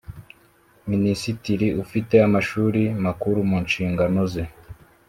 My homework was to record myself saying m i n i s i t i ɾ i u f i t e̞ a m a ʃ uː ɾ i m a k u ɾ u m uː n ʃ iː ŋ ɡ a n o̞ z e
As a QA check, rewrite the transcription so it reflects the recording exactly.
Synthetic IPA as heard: m i n i s i t i ɾ i u f i t e̞ a m a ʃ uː ɾ i m a k u ɾ u m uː n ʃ iː ŋ ɡ a n o̞ z e